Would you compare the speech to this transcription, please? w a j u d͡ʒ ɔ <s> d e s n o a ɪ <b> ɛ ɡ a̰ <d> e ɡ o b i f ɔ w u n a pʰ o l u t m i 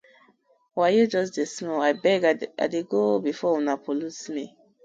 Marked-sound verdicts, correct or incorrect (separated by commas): correct, correct, correct